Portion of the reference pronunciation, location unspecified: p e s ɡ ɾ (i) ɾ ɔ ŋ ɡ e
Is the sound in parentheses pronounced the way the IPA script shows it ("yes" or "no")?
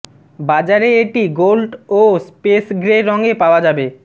no